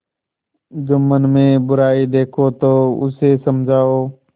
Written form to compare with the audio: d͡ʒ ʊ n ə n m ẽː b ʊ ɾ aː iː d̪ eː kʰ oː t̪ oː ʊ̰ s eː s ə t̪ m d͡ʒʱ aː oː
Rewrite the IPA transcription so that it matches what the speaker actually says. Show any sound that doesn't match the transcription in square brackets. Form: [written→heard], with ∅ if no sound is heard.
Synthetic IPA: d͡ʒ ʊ [n→m] ə n m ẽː b ʊ ɾ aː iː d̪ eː kʰ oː t̪ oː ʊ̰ s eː s ə [t̪→∅] m d͡ʒʱ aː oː

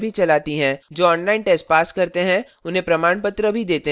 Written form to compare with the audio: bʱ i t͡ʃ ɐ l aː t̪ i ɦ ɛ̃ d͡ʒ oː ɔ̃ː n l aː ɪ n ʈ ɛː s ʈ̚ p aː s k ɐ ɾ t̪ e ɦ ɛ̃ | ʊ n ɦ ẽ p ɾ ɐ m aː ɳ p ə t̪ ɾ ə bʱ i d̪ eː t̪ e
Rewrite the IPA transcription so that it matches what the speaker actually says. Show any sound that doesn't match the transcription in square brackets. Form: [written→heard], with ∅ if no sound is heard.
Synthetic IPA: bʱ i t͡ʃ ɐ l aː t̪ i ɦ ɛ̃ d͡ʒ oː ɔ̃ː n l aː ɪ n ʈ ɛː s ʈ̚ p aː s k ɐ ɾ t̪ e ɦ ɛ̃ | ʊ n ɦ ẽ p ɾ ɐ m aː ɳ p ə t̪ ɾ ə bʱ i d̪ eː t̪ e

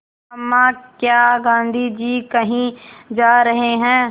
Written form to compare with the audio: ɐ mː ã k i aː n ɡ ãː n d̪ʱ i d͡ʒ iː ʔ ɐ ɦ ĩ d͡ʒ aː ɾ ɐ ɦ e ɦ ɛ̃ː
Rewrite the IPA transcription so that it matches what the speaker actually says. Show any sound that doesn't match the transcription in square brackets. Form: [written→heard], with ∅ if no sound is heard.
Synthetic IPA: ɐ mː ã k [i→j] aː [n→∅] ɡ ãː n d̪ʱ i d͡ʒ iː [ʔ→k] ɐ ɦ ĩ d͡ʒ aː ɾ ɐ ɦ e ɦ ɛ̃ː

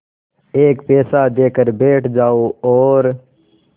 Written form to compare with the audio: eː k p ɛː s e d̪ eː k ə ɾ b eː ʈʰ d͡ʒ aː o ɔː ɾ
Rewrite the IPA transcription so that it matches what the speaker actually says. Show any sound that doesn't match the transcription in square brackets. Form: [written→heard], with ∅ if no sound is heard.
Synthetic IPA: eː k p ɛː s [e→a] d̪ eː k ə ɾ b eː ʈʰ d͡ʒ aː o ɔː ɾ

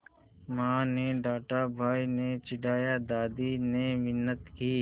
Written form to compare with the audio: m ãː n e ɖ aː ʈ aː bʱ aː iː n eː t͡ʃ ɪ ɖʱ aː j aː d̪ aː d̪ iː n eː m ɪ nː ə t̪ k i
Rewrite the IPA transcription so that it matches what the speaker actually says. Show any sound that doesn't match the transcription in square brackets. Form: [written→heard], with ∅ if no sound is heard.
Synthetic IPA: m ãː n e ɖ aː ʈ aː bʱ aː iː n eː t͡ʃ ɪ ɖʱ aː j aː d̪ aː d̪ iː n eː m ɪ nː ə t̪ k [i→iː]

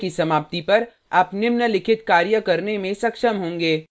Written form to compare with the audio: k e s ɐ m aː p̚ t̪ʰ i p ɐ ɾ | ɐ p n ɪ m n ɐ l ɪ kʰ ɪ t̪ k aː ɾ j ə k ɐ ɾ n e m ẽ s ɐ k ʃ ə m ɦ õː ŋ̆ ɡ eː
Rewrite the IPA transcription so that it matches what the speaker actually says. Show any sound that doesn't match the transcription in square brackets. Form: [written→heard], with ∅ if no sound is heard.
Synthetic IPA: k [e→i] s ɐ m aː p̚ [t̪ʰ→t̪] i p ɐ ɾ | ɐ p n ɪ m n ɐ l ɪ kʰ ɪ t̪ k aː ɾ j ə k ɐ ɾ n e m ẽ s ɐ k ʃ ə m ɦ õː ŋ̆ ɡ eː

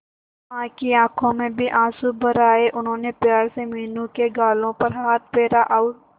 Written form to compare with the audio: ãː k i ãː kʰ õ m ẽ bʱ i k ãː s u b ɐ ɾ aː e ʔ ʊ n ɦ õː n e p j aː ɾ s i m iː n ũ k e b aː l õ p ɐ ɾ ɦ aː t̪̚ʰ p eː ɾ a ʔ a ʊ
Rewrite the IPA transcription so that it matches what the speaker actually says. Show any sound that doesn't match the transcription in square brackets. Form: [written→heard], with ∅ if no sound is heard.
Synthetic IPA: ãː k i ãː kʰ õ m ẽ bʱ i [k→ʔ] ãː s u b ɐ ɾ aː e ʔ ʊ n ɦ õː n e p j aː ɾ s [i→e] m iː n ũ k e [b→ɡ] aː l õ p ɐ ɾ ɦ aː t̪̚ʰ p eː ɾ a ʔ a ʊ

